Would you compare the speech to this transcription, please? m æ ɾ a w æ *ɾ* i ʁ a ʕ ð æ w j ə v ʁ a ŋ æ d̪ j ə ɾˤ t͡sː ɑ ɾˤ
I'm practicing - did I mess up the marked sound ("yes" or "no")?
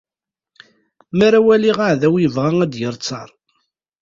yes